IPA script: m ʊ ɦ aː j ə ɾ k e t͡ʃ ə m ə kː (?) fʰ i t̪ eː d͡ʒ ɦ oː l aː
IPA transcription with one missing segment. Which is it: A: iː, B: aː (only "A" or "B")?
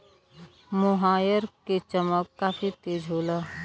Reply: B